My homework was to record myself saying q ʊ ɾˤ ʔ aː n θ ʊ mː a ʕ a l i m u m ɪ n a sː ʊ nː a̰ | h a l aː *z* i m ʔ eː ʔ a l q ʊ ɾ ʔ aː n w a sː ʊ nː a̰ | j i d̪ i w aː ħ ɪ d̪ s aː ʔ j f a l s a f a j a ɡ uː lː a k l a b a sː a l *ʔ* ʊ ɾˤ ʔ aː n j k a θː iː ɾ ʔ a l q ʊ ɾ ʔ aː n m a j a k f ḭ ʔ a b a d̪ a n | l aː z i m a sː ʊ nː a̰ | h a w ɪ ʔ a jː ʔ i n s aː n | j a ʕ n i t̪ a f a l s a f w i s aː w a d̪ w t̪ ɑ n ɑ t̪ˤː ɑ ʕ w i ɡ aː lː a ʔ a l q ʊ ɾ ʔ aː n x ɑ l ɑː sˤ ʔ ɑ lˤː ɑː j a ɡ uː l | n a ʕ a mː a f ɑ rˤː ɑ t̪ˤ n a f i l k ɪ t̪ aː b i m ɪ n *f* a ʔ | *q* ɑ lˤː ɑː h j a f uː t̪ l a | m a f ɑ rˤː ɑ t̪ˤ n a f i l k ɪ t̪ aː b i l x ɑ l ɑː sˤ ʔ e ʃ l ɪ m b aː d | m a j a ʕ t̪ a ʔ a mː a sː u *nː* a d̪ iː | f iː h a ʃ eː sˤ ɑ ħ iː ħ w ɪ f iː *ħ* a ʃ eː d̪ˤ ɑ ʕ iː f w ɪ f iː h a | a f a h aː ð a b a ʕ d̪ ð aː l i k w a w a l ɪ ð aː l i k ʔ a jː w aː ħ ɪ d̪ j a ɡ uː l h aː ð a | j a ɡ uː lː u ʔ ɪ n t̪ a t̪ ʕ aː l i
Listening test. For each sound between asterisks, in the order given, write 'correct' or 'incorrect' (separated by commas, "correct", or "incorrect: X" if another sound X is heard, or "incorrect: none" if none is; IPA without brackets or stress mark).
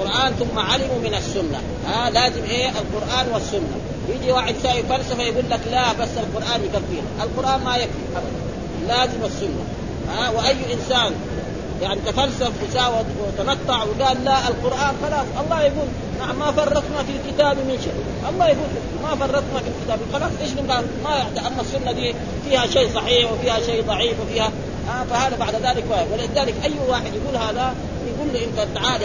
correct, incorrect: q, incorrect: ʃ, incorrect: ʔ, correct, incorrect: h